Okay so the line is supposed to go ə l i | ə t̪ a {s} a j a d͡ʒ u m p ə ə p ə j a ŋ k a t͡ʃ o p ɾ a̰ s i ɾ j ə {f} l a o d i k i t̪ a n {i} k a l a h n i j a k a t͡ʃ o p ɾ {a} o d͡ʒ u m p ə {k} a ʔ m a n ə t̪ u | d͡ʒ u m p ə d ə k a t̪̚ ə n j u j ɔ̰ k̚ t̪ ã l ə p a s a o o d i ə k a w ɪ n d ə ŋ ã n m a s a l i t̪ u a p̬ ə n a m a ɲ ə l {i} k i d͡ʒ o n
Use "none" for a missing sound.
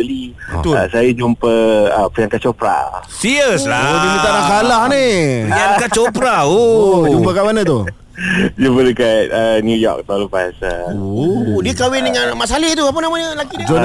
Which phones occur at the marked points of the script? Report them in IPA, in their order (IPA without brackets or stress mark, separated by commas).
s, s, a, a, k, a